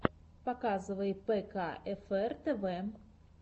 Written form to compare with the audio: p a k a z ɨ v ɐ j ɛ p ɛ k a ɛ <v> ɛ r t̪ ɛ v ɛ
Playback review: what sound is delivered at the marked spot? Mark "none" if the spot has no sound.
f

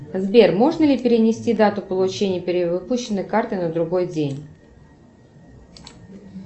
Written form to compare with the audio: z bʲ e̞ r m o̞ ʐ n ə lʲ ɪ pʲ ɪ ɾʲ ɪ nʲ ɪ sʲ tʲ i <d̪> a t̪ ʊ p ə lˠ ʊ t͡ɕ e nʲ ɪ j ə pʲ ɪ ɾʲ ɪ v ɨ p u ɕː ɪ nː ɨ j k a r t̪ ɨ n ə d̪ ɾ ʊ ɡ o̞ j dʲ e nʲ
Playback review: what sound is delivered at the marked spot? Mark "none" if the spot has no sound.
d̪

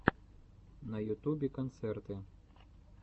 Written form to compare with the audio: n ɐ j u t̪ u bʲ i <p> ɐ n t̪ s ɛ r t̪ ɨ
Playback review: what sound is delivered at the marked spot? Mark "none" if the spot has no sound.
k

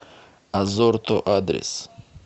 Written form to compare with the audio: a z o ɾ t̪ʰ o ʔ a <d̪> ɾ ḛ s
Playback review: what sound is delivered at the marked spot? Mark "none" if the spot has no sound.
d̪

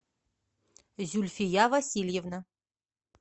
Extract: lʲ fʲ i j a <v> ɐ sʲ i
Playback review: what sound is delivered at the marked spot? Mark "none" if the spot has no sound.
v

